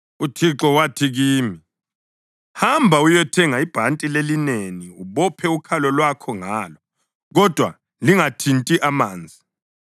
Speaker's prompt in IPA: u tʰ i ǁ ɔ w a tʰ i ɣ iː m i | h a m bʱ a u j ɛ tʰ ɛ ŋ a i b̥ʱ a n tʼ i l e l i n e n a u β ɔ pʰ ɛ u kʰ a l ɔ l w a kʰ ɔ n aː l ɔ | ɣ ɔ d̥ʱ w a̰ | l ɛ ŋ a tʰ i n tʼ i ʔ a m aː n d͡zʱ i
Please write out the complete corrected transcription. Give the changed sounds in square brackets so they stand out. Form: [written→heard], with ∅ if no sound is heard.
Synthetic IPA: u tʰ i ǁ ɔ w a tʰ i ɣ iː m i | h a m bʱ a u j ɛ tʰ ɛ ŋ a i b̥ʱ a n tʼ i l e l i n e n [a→i] u β ɔ pʰ ɛ u kʰ a l ɔ l w a kʰ ɔ [n→ŋ] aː l ɔ | ɣ ɔ d̥ʱ w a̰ | l [ɛ→i] ŋ a tʰ i n tʼ i ʔ a m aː n d͡zʱ i